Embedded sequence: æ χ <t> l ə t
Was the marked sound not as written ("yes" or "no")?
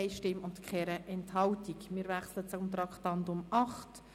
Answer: yes